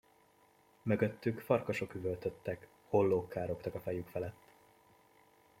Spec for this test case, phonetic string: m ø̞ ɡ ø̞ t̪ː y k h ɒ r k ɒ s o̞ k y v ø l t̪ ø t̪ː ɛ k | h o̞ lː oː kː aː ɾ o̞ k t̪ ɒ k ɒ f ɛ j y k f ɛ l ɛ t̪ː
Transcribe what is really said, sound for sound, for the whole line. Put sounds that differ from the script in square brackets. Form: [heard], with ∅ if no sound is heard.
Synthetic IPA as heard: m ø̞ ɡ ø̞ t̪ː y k [f] ɒ r k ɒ [ʃ] o̞ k y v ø l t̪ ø t̪ː ɛ k | h o̞ lː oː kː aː ɾ o̞ k t̪ ɒ k ɒ f ɛ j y k f ɛ l ɛ t̪ː